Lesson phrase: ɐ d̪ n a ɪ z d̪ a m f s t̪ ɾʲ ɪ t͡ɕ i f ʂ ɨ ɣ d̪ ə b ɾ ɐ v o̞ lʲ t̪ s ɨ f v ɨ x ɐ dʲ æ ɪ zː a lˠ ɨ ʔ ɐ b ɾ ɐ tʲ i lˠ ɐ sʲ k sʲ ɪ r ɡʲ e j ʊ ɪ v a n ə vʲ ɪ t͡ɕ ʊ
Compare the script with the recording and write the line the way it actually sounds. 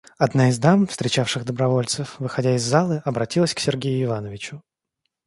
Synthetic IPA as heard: ɐ d̪ n a ɪ z d̪ a m f s t̪ ɾʲ ɪ t͡ɕ a f ʂ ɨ ɣ d̪ ə b ɾ ɐ v o̞ lʲ t̪ s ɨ f v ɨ x ɐ dʲ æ ɪ zː a lˠ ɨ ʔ ɐ b ɾ ɐ tʲ i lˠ ə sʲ k sʲ ɪ r ɡʲ e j ʊ ɪ v a n ə vʲ ɪ t͡ɕ ʊ

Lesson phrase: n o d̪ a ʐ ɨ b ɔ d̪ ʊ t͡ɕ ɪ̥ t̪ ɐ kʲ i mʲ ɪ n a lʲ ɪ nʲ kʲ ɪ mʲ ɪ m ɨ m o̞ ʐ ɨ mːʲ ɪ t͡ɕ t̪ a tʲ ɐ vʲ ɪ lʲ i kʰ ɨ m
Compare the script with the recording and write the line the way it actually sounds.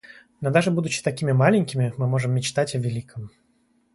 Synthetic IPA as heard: n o d̪ a ʐ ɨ b u d̪ ʊ t͡ɕ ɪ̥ t̪ ɐ kʲ i mʲ ɪ m a lʲ ɪ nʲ kʲ ɪ mʲ ɪ m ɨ m o̞ ʐ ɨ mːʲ ɪ t͡ɕ t̪ a tʲ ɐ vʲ ɪ lʲ i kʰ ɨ m

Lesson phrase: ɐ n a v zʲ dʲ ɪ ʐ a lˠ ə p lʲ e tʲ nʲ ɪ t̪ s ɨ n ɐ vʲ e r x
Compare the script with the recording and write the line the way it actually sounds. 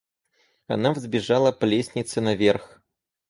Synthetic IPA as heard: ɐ n a v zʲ bʲ ɪ ʐ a lˠ ə p lʲ e sʲ nʲ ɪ t̪ s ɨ n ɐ vʲ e r x

